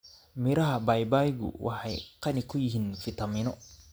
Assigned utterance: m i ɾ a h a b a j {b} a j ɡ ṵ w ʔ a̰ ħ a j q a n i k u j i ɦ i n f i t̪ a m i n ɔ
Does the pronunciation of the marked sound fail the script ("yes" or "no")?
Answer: no